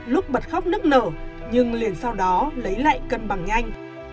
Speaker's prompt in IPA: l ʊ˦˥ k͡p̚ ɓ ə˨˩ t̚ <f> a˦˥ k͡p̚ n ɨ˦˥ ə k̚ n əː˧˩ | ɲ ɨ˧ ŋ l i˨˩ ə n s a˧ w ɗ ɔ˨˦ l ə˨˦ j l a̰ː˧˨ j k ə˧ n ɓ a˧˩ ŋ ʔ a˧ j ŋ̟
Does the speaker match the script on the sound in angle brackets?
no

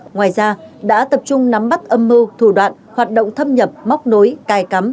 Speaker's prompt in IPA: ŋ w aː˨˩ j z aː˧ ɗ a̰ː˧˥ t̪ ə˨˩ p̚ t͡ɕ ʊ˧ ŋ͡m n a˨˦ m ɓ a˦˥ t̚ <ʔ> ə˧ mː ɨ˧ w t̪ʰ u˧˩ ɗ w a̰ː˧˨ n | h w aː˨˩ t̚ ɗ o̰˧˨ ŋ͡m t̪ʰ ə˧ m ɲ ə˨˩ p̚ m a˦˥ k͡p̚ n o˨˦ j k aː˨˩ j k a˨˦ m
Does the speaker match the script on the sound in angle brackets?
yes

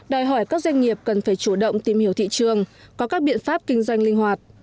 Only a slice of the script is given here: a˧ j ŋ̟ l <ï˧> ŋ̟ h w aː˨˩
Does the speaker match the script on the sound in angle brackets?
yes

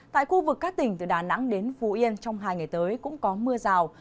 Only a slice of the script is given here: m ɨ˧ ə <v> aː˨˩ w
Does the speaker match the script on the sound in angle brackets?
no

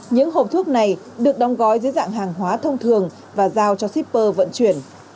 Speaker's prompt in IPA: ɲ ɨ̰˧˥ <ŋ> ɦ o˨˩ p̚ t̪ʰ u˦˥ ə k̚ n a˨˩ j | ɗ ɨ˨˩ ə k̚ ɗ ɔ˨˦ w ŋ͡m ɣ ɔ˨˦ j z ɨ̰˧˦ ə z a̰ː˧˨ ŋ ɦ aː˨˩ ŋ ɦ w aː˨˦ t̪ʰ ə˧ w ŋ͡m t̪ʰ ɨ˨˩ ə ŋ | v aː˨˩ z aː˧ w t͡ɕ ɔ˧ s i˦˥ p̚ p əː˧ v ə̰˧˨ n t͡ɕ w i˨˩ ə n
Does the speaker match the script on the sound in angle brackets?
yes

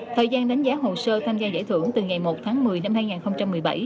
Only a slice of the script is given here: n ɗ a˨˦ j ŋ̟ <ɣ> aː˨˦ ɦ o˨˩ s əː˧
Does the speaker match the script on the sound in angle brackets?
no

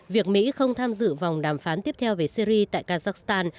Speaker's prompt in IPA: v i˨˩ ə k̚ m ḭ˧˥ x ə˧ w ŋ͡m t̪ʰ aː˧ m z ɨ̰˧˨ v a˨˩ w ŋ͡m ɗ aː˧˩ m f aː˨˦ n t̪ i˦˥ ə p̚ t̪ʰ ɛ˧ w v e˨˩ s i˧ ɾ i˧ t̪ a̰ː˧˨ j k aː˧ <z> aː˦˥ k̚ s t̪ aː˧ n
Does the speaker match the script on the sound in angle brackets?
yes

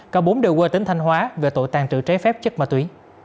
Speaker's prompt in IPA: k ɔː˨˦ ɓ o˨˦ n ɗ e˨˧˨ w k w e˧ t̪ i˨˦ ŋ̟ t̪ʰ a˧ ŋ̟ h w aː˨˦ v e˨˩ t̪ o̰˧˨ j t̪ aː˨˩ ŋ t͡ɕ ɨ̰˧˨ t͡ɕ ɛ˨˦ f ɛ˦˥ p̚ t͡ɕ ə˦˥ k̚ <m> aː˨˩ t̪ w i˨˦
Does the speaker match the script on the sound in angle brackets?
yes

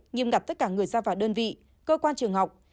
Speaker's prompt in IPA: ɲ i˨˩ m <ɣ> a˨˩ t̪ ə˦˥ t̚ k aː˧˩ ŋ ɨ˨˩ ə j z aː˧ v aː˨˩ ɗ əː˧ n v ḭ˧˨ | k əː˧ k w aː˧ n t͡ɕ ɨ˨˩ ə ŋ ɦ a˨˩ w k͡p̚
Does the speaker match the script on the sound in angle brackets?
yes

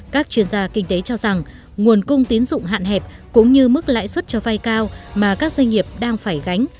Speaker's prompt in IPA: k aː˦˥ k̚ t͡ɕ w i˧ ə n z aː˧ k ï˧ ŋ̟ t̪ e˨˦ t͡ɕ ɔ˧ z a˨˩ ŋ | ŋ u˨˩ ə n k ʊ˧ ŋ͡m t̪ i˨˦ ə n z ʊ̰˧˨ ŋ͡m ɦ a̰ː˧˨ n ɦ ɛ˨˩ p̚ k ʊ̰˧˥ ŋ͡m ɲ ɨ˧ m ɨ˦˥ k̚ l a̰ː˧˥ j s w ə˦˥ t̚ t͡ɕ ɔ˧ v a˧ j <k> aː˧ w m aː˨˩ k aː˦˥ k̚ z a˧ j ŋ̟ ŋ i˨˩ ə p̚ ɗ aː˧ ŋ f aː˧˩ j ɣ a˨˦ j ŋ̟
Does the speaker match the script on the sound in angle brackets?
yes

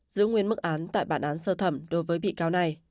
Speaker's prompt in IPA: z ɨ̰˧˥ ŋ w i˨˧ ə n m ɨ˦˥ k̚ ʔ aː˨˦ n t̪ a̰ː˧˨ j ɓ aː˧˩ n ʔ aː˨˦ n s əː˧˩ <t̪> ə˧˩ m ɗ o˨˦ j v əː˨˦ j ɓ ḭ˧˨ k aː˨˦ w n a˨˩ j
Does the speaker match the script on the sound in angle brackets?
no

